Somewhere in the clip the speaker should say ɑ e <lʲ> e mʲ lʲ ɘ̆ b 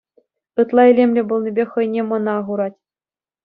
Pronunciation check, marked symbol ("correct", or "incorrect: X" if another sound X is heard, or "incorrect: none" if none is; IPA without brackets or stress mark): correct